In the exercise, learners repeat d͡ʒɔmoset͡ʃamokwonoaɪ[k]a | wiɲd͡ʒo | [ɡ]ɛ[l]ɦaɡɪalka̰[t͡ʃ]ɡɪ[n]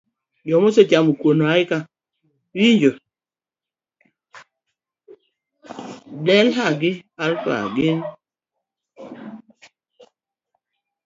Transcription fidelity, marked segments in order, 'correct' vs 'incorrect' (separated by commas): correct, incorrect, correct, incorrect, correct